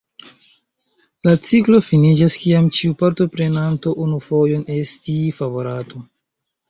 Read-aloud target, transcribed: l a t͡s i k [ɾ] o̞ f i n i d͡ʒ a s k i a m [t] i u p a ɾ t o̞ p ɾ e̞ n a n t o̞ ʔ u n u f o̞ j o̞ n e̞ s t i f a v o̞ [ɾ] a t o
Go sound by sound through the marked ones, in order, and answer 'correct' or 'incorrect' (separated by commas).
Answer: incorrect, incorrect, correct